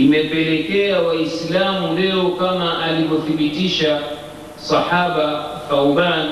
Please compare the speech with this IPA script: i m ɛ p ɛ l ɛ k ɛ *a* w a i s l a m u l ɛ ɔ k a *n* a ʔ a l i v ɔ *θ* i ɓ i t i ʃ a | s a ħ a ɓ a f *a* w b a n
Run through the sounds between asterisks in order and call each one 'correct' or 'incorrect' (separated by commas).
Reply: correct, incorrect, correct, correct